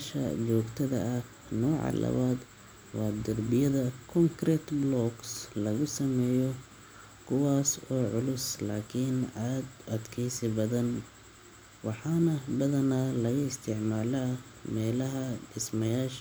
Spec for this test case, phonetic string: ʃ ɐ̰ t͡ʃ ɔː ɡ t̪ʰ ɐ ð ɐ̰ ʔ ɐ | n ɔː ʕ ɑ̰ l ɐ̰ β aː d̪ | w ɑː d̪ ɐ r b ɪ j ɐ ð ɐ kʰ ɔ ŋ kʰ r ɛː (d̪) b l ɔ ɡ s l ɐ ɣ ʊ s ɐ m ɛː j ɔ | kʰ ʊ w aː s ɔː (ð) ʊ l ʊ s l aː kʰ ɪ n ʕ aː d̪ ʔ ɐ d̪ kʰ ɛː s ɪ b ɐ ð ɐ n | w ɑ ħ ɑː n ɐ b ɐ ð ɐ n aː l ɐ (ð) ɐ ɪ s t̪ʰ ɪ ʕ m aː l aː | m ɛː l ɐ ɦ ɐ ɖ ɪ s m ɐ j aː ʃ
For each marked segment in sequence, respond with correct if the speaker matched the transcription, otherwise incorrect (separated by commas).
incorrect, incorrect, incorrect